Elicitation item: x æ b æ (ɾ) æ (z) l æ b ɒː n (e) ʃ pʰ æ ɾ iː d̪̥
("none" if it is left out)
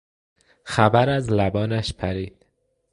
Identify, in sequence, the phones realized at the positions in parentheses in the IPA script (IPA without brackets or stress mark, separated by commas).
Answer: ɾ, z, æ